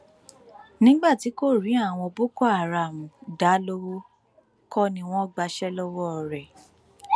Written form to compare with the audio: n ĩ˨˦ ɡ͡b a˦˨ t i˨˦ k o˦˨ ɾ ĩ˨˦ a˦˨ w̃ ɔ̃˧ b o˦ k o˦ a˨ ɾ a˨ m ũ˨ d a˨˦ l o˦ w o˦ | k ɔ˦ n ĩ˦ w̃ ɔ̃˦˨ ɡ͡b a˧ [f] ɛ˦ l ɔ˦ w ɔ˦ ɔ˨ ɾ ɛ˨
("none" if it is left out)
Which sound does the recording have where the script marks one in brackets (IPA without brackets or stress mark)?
ʃ